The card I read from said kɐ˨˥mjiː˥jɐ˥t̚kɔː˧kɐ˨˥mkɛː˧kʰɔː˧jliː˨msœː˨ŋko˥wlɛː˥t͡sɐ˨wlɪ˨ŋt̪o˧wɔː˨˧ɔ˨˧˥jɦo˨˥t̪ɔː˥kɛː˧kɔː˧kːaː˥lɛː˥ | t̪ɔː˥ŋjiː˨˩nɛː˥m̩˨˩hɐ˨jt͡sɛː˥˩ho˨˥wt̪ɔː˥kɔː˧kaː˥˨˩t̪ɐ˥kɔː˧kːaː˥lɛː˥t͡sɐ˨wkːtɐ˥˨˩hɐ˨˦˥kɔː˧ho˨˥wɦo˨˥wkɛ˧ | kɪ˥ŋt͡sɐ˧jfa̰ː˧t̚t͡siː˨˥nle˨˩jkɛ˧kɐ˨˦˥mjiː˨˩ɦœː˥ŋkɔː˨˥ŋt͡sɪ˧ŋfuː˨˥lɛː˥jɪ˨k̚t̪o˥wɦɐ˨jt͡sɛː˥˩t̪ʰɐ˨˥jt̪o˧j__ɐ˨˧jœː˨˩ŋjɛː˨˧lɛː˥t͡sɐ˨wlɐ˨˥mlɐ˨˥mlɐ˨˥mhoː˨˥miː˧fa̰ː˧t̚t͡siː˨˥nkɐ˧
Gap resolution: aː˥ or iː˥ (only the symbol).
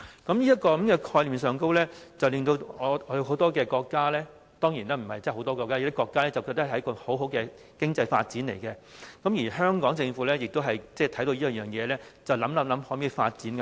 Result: iː˥